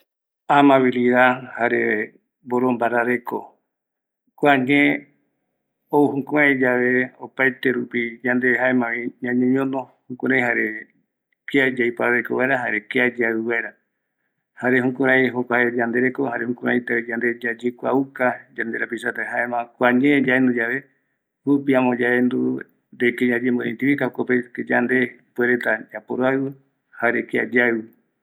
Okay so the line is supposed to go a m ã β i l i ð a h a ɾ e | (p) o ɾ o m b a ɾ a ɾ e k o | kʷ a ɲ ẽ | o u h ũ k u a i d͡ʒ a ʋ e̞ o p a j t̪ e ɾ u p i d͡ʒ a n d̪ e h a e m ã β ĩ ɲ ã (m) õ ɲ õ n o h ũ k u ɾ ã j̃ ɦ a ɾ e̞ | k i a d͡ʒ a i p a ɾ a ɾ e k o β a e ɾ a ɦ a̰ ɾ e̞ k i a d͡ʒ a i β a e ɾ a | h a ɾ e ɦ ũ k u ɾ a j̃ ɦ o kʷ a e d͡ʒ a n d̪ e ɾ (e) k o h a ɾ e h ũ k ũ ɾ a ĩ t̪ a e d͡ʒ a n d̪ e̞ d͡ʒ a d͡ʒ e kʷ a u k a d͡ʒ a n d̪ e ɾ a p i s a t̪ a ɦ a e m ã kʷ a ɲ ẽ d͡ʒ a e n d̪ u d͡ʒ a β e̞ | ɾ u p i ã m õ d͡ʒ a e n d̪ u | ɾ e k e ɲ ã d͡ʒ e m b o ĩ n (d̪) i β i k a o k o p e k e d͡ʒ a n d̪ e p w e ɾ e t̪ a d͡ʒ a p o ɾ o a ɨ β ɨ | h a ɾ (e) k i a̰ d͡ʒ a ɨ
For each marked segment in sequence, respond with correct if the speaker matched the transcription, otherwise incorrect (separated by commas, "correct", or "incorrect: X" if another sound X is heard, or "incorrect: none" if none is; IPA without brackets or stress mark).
incorrect: b, incorrect: ɲ, correct, incorrect: t̪, correct